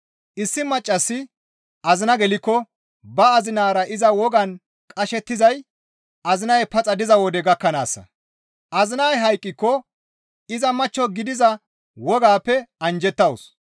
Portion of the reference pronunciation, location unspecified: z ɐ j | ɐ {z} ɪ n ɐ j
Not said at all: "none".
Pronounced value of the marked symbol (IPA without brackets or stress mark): z